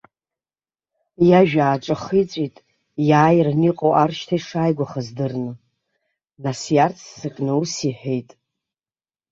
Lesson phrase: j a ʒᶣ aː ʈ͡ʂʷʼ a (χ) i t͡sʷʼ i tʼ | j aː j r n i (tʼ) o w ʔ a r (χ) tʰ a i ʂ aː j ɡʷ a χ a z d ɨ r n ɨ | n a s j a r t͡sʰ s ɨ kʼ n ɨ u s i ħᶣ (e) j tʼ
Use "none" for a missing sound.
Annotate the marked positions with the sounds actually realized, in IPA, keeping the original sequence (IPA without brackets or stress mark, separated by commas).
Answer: χ, qʼ, ʃ, e